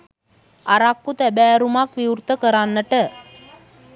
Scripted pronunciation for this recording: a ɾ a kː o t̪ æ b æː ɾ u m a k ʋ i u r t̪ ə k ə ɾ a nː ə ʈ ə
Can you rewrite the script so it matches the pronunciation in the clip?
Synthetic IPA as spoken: a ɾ a kː u t̪ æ b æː ɾ u m a k ʋ i u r t̪ ə k ə ɾ a nː ə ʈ ə